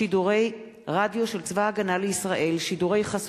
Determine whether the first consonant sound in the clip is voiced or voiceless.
voiced